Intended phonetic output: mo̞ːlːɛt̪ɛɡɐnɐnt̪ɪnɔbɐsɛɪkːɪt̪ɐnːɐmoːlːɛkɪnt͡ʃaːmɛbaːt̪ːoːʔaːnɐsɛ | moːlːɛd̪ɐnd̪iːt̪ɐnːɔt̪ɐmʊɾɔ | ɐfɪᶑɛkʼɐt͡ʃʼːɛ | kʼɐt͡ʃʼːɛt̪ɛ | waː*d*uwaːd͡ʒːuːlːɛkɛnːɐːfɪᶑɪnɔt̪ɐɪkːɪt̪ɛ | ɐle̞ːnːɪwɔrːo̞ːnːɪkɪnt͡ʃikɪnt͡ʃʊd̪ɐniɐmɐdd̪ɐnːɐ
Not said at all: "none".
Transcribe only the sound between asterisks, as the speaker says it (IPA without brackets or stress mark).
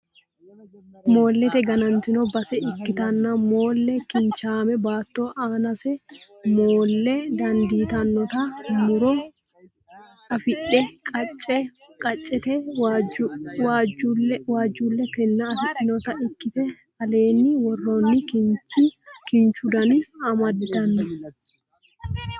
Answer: d͡ʒ